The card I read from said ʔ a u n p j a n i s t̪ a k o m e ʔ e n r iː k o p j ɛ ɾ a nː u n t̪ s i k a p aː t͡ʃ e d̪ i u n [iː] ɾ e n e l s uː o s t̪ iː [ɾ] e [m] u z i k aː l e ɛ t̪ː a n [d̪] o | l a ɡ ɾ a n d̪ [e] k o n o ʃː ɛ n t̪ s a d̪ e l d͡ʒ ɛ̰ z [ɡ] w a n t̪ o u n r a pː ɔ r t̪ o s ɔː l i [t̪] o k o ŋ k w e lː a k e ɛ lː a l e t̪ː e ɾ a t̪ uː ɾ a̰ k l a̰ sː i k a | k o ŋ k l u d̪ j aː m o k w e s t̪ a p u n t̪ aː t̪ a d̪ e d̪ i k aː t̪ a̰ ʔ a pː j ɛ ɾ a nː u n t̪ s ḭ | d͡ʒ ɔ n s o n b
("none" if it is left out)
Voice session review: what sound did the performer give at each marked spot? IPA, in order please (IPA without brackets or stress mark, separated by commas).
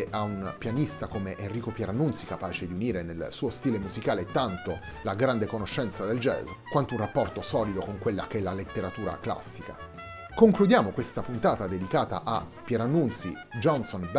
iː, l, m, t̪, e, k, d̪